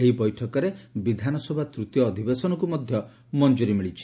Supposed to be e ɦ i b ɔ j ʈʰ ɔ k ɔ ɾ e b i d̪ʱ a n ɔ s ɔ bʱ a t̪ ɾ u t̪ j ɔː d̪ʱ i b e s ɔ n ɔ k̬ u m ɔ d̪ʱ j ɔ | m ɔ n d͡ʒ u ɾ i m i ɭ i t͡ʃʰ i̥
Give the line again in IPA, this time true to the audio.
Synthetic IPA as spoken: e ɦ i b ɔ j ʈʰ ɔ k ɔ ɾ e b i d̪ʱ a n ɔ s ɔ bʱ a t̪ ɾ u t̪ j ɔː d̪ʱ i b e s ɔ n ɔ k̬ u m ɔ d̪ʱ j ɔ | m ɔ n d͡ʒ u ɾ i m i ɭ i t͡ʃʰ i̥